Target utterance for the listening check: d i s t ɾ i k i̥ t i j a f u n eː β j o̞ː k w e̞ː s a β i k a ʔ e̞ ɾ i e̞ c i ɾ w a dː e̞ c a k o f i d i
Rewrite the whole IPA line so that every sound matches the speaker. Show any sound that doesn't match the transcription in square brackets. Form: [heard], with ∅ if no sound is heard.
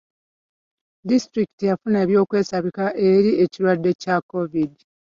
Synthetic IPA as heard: d i s t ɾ i k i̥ t i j a f u n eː β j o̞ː k w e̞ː s a β i k a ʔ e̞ ɾ i e̞ c i ɾ w a dː e̞ c a k o [v] i d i